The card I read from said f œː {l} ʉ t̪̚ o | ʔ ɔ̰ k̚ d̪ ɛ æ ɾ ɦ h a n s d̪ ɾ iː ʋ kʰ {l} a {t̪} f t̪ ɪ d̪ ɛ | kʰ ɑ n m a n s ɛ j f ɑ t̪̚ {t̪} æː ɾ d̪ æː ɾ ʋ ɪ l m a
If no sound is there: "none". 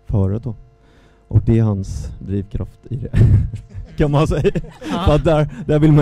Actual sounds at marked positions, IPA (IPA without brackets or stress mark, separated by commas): ɾ, ɾ, none, d̪